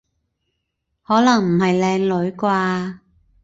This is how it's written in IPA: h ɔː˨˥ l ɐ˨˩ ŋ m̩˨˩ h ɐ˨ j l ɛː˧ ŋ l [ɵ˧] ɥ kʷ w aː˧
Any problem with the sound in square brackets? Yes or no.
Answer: yes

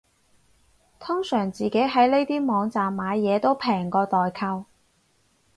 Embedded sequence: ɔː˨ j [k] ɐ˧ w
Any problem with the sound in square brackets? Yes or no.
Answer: yes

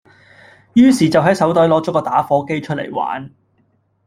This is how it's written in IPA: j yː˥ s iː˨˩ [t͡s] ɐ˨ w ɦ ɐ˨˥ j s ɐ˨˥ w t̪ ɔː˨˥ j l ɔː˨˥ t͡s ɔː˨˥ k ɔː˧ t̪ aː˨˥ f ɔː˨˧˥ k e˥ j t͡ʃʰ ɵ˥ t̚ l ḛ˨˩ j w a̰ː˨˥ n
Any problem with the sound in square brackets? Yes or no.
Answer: no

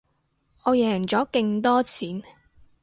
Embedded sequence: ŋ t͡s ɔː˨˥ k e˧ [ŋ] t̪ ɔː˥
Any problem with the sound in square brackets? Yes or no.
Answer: no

